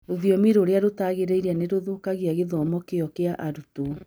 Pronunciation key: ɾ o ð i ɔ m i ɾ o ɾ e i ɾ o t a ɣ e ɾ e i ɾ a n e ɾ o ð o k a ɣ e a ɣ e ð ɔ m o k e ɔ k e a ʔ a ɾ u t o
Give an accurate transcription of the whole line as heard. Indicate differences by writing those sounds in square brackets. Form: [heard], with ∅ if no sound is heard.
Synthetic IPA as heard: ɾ o ð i ɔ m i ɾ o ɾ e [a] ɾ o t a ɣ e ɾ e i ɾ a n e ɾ o ð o k a ɣ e a ɣ e ð ɔ m [ɔ] k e ɔ k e a ʔ a ɾ u t o